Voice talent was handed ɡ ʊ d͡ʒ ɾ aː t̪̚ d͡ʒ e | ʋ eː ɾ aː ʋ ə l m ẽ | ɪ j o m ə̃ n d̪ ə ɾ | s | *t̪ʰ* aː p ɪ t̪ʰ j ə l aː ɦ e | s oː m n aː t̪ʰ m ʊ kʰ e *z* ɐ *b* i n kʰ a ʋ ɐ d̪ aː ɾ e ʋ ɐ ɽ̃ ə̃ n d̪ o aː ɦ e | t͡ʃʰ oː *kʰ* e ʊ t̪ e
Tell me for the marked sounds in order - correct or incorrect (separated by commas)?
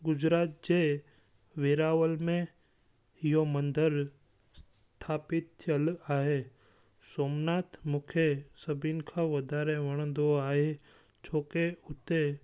correct, incorrect, correct, incorrect